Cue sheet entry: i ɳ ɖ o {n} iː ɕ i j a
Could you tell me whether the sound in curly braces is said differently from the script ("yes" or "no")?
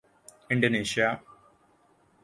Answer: no